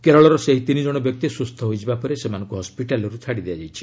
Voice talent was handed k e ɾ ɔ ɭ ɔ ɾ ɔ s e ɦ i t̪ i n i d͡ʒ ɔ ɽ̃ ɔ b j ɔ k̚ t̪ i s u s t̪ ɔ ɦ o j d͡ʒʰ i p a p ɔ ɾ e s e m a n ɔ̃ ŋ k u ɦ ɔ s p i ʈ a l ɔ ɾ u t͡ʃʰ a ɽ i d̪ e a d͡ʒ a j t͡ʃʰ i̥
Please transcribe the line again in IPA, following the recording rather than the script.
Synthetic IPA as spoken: k e ɾ ɔ ɭ ɔ ɾ ɔ s e ɦ i t̪ i n i d͡ʒ ɔ ɽ̃ ɔ b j ɔ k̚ t̪ i s u s t̪ʰ ɔ ɦ o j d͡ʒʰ i b a p ɔ ɾ e s e m a n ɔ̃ ŋ k u ɦ ɔ s p i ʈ a l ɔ ɾ u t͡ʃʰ a ɽ i d̪ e a d͡ʒ a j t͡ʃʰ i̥